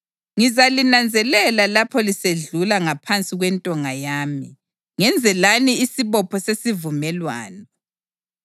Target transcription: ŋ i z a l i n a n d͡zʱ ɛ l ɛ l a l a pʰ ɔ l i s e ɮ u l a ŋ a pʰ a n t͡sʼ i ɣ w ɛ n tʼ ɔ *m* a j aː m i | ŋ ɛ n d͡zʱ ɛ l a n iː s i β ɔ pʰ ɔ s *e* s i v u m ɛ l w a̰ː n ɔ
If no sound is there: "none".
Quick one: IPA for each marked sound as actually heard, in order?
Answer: ŋ, e

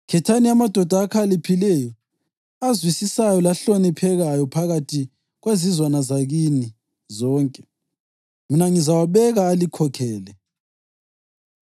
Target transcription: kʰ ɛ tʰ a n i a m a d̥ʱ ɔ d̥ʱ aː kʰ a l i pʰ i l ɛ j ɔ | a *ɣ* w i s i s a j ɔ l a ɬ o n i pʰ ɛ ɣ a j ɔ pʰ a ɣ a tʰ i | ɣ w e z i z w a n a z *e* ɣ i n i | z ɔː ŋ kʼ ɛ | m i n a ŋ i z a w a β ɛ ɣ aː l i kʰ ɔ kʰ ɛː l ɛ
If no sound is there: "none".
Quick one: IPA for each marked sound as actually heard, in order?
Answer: z, a

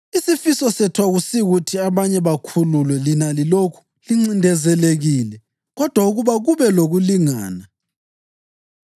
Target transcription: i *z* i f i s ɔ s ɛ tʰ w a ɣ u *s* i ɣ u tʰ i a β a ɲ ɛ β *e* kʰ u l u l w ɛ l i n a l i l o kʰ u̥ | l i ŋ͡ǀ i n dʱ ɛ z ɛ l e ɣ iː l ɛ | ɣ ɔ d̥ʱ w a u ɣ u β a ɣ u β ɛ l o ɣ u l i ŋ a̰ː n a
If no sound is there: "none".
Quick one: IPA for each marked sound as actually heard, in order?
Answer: s, s, a

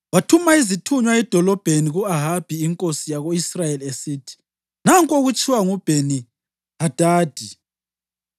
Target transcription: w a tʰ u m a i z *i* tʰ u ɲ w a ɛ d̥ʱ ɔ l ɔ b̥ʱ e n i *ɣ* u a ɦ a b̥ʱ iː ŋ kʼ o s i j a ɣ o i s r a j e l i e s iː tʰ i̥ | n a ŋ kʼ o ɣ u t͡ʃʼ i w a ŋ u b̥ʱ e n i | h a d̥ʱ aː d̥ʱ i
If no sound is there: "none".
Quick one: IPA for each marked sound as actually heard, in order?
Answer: i, ɣ

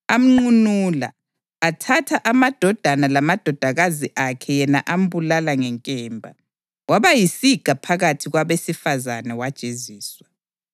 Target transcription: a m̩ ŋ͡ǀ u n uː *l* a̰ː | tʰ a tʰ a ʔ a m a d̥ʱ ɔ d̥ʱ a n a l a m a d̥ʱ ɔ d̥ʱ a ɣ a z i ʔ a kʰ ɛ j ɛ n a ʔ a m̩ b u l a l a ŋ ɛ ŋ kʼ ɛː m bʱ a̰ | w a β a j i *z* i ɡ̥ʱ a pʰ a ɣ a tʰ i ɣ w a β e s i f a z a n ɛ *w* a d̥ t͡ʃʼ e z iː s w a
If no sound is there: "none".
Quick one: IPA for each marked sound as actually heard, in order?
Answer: l, s, w

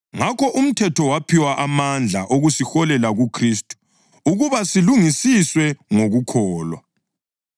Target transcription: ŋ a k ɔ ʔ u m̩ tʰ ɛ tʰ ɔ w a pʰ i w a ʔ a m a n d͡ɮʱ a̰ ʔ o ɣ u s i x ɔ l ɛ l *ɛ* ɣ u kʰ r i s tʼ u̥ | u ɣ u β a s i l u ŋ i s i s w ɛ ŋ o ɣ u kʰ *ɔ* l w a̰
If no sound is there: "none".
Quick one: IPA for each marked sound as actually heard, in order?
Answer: a, ɔː

